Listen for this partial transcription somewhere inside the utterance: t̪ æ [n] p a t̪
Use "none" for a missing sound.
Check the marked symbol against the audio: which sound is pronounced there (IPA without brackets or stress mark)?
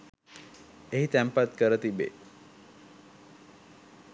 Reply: m